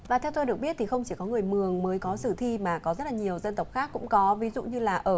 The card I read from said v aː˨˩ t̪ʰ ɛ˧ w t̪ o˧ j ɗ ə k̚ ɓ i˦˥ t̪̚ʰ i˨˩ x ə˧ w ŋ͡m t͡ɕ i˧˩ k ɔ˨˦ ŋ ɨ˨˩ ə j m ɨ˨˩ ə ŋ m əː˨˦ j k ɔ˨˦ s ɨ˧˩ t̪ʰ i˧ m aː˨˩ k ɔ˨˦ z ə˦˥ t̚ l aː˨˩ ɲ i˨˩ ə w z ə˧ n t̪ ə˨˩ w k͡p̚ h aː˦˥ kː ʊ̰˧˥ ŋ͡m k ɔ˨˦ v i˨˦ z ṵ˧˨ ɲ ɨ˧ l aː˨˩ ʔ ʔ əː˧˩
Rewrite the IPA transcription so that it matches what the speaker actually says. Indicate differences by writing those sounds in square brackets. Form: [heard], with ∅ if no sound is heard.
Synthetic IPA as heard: v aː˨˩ t̪ʰ ɛ˧ w t̪ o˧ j ɗ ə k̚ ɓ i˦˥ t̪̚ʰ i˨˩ x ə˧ w ŋ͡m t͡ɕ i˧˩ k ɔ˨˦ ŋ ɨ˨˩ ə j m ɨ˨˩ ə ŋ m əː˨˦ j k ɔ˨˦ s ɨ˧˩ t̪ʰ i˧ m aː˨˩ k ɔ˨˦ z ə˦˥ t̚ l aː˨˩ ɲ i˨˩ ə w z ə˧ n t̪ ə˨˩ w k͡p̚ [x] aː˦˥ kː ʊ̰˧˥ ŋ͡m k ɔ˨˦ v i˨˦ z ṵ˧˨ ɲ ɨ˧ l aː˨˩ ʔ ʔ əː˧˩